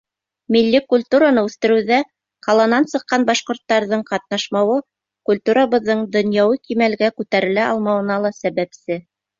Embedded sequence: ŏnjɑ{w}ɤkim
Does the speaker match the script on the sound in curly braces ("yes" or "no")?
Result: yes